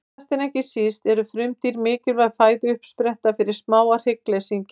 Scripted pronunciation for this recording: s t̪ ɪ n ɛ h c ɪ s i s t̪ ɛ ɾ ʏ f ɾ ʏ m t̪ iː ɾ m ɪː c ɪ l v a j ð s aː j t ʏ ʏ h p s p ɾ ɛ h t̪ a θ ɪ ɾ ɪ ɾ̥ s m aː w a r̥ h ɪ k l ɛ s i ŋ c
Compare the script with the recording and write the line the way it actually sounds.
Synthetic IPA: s t̪ ɪ n ɛ h c ɪ s i s t̪ ɛ ɾ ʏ f ɾ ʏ m t̪ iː ɾ m ɪː c ɪ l v a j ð f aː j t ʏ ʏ h p s p ɾ ɛ h t̪ a f ɪ ɾ ɪ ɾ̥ s m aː w a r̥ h ɪ k l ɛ s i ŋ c